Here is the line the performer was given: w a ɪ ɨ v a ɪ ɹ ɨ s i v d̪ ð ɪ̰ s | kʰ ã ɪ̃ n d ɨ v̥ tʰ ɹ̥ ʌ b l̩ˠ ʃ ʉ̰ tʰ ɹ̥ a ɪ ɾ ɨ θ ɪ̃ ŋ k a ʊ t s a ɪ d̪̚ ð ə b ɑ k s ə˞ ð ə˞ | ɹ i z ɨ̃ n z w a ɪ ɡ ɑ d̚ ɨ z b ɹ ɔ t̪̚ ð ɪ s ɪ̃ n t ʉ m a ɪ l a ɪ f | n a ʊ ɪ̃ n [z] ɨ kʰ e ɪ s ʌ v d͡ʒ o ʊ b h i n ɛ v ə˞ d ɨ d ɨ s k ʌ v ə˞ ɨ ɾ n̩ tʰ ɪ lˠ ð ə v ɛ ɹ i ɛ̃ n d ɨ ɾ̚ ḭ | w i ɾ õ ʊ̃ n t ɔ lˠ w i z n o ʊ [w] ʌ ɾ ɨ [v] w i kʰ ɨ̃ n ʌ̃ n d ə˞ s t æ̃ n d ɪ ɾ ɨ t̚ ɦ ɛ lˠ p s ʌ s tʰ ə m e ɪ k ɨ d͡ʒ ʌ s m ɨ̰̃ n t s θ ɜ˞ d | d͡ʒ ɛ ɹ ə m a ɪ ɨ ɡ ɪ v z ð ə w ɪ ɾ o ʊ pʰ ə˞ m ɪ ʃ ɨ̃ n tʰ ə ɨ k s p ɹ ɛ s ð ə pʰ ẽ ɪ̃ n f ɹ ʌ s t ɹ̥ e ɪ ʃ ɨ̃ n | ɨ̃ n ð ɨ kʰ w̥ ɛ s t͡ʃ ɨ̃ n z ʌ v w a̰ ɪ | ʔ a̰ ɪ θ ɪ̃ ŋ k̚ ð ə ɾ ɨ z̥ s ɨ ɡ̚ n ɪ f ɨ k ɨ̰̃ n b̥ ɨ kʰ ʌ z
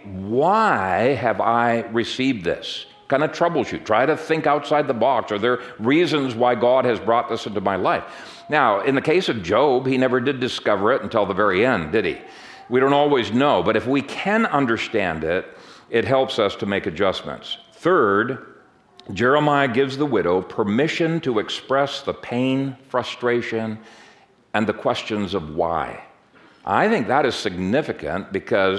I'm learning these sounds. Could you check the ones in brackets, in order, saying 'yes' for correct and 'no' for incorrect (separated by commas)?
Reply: no, no, no